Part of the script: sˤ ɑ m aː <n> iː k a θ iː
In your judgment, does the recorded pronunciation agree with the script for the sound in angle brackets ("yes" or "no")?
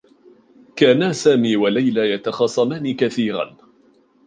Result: yes